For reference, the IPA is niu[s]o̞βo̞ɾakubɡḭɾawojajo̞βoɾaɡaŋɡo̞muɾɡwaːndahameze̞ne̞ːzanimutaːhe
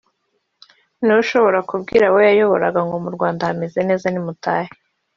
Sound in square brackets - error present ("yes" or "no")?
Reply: yes